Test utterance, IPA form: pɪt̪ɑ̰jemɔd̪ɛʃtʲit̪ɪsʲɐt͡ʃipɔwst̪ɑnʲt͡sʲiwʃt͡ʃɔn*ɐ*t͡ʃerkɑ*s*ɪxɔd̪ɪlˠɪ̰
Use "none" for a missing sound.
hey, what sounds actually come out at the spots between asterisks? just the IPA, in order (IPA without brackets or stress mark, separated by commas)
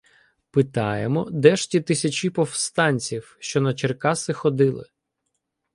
ɐ, s